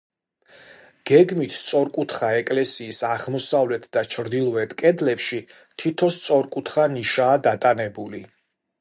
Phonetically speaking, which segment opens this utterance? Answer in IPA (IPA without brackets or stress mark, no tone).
ɡ̥